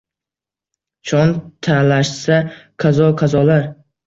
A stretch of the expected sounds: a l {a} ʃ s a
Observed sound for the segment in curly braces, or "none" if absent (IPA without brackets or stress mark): a